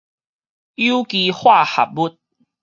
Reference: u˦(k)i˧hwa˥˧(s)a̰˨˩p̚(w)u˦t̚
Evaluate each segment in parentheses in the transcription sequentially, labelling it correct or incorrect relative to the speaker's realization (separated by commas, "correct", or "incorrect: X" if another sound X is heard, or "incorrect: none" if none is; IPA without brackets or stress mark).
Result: correct, incorrect: h, incorrect: b